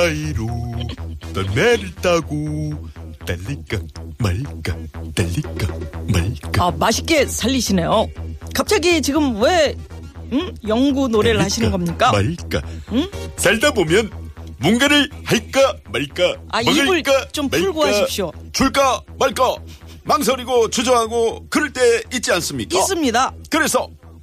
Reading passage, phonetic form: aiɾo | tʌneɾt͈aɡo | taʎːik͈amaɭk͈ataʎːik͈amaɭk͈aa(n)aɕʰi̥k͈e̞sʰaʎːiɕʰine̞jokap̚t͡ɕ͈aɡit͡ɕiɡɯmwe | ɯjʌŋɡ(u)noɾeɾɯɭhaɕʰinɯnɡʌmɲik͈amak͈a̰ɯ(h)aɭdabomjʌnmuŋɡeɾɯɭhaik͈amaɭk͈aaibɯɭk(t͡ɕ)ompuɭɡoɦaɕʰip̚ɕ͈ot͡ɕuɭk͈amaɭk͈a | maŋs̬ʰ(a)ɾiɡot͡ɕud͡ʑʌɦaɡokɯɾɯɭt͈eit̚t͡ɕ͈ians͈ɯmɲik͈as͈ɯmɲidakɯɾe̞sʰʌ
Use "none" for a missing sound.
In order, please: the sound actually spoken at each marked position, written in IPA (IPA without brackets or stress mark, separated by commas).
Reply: m, u, s, t͡ɕ, ʌ